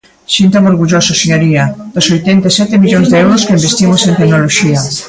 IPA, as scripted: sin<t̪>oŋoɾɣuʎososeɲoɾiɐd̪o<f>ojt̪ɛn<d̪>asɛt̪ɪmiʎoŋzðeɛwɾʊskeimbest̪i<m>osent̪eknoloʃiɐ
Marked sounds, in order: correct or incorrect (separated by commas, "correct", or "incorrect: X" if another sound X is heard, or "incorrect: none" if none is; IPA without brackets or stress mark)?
correct, incorrect: s, incorrect: t̪, correct